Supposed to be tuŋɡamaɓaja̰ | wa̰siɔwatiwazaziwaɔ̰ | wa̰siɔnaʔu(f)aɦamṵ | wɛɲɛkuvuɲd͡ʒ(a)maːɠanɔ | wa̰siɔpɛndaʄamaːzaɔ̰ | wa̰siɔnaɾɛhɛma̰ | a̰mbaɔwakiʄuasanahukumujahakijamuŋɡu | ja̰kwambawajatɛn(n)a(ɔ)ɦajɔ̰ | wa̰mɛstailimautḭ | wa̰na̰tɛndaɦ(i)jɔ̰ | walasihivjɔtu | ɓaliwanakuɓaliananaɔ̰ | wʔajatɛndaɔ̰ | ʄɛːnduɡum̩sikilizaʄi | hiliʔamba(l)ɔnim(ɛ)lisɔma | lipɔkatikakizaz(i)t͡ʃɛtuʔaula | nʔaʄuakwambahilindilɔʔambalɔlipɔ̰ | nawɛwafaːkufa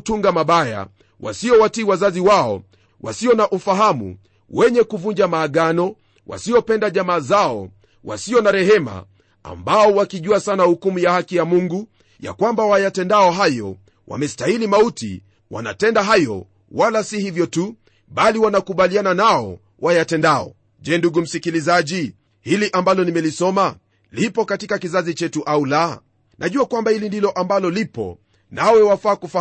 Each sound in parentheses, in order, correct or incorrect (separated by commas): correct, correct, incorrect, correct, incorrect, correct, correct, correct